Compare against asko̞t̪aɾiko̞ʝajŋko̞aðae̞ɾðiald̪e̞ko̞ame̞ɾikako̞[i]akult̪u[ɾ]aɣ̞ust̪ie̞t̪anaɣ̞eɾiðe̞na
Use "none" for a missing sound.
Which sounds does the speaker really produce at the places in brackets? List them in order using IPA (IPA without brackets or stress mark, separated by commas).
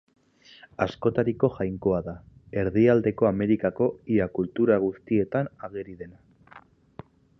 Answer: i, ɾ